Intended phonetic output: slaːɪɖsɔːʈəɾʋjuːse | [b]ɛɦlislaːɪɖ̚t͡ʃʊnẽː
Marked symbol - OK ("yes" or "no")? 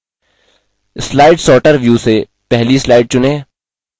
no